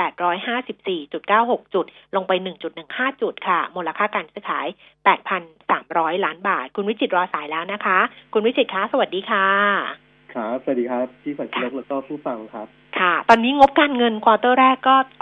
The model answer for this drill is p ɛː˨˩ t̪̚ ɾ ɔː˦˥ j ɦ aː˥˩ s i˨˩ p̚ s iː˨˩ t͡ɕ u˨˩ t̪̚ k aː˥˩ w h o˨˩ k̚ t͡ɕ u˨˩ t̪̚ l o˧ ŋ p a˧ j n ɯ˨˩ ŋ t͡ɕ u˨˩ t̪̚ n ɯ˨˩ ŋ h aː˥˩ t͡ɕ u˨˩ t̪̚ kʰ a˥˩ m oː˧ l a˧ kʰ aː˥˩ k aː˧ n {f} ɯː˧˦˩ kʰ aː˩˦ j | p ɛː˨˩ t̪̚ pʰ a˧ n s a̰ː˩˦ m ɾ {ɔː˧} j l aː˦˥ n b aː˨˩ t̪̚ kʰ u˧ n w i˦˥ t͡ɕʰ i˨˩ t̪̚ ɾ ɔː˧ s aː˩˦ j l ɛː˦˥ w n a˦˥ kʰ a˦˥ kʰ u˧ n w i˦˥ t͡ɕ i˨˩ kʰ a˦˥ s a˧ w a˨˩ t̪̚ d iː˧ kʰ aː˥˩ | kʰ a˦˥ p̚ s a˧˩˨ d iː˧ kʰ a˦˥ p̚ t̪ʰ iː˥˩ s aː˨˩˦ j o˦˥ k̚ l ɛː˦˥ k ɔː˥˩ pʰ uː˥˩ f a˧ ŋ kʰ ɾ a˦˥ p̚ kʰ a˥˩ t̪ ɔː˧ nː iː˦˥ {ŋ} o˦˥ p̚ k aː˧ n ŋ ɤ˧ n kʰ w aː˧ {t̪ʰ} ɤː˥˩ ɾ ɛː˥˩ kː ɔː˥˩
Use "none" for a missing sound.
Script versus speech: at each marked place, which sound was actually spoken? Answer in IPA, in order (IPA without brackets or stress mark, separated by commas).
s, ɔː˦˥, ŋ, t̪